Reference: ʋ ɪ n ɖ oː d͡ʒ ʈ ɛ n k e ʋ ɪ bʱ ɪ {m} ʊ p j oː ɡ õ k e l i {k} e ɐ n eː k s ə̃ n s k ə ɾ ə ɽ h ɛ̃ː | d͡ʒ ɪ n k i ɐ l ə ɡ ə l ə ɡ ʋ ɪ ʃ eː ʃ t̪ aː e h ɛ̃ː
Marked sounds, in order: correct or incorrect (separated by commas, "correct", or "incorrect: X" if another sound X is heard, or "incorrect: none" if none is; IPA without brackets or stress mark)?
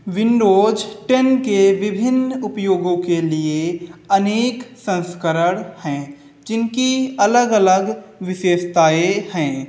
incorrect: n, incorrect: none